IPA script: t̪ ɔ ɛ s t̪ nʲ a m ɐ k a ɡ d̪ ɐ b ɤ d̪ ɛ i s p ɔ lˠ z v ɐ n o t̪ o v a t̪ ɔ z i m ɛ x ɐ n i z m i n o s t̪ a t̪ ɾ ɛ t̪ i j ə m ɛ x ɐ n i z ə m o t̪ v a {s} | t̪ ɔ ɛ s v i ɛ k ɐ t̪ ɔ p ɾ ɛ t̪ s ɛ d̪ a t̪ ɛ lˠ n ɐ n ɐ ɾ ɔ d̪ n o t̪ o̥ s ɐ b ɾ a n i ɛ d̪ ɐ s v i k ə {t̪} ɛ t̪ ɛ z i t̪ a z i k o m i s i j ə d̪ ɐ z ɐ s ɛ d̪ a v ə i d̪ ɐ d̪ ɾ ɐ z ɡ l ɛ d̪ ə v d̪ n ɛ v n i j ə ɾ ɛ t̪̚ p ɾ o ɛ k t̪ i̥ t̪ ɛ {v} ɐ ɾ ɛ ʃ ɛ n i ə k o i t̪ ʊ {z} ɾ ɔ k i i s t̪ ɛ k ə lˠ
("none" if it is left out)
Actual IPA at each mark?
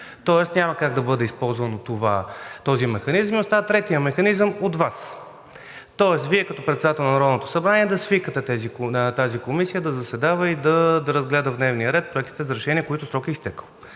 s, t̪, z, s

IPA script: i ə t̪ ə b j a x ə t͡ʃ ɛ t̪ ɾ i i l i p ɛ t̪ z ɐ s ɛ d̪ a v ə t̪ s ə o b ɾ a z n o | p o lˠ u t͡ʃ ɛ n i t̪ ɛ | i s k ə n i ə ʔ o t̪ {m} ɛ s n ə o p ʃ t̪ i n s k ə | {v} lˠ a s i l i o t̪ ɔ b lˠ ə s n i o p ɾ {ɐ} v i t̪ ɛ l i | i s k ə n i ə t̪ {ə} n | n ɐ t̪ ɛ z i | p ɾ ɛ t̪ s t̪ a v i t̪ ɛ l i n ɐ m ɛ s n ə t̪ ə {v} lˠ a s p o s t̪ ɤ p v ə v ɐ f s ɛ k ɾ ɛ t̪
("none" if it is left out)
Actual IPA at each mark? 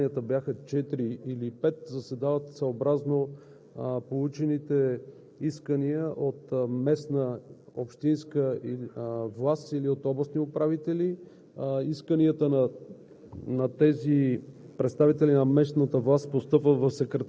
m, v, a, ə, v

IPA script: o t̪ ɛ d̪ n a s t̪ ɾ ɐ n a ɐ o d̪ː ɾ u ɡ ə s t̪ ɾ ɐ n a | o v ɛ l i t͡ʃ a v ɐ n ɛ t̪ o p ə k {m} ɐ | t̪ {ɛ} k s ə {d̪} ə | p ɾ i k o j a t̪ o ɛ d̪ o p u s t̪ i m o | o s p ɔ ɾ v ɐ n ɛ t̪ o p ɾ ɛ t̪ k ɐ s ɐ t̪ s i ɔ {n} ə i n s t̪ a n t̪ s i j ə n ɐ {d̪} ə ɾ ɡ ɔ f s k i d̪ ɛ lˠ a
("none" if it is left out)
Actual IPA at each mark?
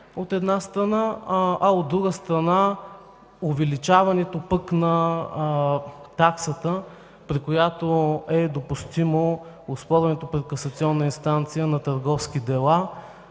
n, a, t̪, nː, t̪

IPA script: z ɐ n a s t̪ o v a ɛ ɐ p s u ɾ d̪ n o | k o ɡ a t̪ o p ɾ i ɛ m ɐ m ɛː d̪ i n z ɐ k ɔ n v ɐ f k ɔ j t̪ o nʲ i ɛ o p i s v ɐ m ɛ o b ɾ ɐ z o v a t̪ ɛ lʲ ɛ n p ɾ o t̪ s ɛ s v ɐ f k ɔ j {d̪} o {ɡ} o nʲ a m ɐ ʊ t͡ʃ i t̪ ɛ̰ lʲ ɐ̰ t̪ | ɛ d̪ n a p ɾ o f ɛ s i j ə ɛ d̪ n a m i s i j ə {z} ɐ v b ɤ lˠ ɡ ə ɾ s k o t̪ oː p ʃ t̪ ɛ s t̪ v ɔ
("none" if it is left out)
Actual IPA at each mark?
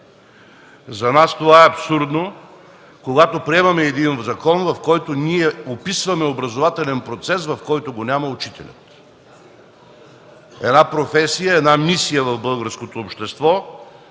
t̪, ɡ, v

